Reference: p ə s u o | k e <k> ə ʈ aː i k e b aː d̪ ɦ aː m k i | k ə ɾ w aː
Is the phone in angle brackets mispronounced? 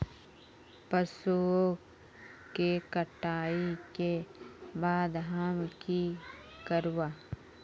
no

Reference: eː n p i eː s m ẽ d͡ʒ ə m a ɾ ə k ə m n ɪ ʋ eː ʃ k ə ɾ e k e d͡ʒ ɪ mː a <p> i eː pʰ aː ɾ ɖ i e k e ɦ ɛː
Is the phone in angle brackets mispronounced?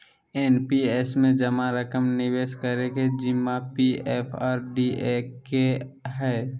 no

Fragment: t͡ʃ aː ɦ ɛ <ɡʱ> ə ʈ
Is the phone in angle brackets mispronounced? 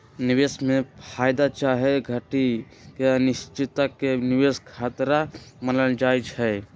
no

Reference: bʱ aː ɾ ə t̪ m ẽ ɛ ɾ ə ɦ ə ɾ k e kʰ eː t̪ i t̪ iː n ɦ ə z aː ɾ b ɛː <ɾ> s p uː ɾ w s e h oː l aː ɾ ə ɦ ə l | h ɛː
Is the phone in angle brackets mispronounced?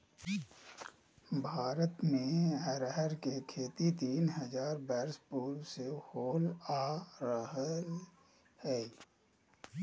no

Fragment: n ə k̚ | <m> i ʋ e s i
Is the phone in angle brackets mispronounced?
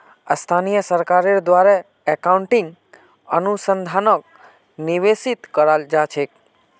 yes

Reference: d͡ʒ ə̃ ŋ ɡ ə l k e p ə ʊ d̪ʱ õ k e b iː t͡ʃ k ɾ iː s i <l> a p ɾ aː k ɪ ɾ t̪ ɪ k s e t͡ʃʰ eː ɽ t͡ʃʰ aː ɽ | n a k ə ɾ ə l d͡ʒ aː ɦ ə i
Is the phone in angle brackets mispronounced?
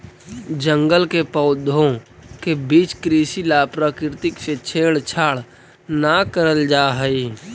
no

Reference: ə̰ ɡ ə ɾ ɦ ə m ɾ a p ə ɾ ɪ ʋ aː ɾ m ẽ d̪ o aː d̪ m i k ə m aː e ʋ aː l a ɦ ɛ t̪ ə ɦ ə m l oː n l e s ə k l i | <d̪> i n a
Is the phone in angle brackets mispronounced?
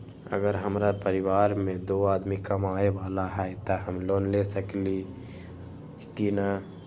yes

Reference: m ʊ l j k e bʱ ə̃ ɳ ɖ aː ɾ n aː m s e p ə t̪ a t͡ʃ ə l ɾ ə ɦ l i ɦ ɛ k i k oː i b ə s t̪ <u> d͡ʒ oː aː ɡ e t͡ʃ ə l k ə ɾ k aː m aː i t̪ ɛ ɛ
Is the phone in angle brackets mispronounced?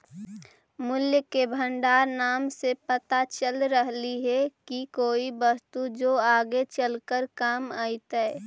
no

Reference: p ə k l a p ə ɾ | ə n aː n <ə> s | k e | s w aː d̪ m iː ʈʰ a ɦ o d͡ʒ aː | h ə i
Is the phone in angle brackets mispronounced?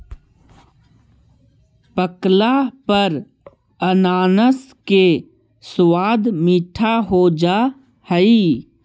no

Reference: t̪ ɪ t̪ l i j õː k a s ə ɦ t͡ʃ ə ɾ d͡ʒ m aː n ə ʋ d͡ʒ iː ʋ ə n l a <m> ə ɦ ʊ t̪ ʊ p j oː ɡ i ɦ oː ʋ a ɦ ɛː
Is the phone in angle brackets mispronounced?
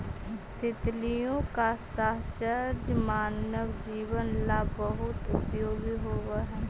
yes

